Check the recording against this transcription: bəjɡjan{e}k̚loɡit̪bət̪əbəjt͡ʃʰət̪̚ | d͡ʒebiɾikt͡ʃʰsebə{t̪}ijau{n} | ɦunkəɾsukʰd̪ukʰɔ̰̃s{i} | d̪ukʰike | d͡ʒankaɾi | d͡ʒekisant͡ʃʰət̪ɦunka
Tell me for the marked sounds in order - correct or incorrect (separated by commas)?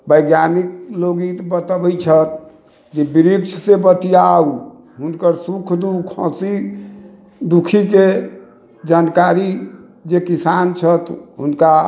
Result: incorrect, correct, incorrect, correct